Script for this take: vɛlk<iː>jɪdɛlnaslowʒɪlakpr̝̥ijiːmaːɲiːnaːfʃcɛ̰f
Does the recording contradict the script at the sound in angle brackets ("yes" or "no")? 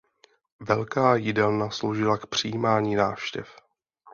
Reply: yes